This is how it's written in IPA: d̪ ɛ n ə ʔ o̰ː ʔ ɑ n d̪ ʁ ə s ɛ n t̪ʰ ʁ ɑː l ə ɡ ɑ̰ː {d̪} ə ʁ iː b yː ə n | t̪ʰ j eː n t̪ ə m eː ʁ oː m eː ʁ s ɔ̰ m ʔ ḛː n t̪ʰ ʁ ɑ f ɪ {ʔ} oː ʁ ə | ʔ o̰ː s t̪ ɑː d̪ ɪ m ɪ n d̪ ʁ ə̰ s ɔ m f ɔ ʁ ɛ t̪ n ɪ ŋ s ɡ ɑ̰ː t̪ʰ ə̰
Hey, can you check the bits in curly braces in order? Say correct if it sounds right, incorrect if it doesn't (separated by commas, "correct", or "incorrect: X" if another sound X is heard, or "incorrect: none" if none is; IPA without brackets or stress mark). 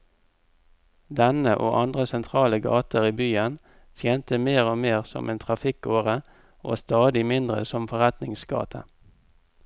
incorrect: t̪, incorrect: k